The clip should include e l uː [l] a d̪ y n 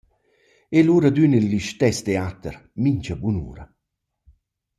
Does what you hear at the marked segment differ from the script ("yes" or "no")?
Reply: yes